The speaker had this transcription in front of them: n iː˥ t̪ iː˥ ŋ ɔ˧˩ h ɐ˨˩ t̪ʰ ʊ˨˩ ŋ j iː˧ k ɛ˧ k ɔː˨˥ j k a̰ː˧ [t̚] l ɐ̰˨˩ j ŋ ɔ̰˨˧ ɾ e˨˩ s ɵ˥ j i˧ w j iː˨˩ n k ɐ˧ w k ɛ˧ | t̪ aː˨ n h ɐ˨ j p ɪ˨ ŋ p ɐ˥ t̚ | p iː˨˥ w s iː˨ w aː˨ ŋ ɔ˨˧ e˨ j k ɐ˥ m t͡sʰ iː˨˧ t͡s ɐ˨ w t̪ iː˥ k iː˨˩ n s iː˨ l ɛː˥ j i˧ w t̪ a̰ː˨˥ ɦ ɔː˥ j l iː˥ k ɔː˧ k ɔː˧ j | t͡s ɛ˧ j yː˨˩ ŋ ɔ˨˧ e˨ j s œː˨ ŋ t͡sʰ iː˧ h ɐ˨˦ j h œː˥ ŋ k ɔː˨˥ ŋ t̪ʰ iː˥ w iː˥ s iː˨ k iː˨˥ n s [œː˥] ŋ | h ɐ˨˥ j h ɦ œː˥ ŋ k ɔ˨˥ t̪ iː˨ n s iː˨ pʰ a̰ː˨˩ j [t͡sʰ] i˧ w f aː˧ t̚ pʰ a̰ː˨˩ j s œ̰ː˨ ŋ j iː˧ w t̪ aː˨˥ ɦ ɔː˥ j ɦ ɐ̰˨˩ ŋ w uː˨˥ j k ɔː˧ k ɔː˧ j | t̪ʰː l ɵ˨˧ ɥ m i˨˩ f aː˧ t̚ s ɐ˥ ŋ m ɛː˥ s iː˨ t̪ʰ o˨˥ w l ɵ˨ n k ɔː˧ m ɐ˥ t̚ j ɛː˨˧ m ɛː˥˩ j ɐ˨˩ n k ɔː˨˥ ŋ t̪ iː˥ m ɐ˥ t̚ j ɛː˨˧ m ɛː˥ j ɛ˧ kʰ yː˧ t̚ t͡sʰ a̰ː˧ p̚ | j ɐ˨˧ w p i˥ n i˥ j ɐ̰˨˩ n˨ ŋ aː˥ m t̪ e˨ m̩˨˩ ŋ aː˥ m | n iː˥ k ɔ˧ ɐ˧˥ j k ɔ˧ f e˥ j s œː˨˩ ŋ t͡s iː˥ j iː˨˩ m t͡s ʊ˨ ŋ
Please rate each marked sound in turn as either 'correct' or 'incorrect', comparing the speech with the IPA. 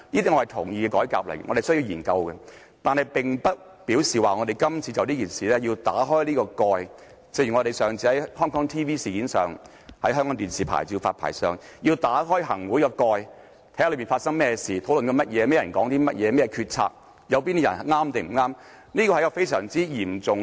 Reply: incorrect, incorrect, incorrect

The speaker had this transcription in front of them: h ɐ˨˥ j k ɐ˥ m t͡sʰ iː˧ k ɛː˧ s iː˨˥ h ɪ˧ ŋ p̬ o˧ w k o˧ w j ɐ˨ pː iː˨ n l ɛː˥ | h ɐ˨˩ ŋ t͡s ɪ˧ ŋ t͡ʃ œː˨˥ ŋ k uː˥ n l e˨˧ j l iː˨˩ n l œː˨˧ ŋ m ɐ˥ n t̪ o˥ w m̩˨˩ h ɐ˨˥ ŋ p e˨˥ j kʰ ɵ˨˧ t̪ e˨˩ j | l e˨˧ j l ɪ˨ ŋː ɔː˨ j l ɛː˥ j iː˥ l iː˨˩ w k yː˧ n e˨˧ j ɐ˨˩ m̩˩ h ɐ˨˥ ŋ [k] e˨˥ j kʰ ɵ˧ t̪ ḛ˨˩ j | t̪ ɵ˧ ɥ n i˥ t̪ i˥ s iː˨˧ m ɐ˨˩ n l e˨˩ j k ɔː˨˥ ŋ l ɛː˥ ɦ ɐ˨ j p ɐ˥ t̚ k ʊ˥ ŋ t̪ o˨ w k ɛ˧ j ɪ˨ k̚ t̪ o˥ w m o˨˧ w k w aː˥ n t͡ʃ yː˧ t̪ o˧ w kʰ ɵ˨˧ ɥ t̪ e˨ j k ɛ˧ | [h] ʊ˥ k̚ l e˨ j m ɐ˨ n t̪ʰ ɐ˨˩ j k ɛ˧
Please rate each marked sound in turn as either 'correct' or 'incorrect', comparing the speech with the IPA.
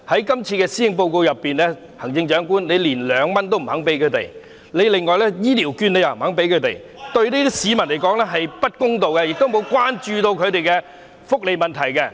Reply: incorrect, incorrect

